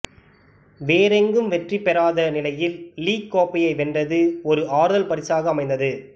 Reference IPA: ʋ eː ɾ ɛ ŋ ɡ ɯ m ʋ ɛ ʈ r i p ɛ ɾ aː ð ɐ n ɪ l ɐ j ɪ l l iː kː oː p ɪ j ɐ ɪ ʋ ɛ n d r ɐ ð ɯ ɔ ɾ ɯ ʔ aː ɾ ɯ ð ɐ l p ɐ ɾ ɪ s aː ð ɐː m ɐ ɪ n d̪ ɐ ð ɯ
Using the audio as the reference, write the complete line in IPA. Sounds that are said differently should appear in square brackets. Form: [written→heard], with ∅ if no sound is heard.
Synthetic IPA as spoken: ʋ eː ɾ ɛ ŋ ɡ ɯ m ʋ ɛ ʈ r i p ɛ ɾ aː ð ɐ n ɪ l ɐ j ɪ l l iː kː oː p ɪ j ɐ ɪ ʋ ɛ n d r ɐ ð ɯ ɔ ɾ ɯ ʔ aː ɾ ɯ ð ɐ l p ɐ ɾ ɪ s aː [ð→ɣ] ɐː m ɐ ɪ n d̪ ɐ ð ɯ